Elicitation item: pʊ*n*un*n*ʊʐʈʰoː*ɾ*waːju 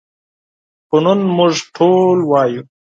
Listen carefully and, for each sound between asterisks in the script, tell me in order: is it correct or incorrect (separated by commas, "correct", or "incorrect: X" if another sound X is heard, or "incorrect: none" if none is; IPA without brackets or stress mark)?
correct, incorrect: m, incorrect: l